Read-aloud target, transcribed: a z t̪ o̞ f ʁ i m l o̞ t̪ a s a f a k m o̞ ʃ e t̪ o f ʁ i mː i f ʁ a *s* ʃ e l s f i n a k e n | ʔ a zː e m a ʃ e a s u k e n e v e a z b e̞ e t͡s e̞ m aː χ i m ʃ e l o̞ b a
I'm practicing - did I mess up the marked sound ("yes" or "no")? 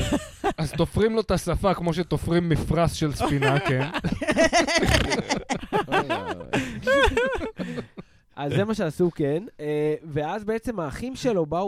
no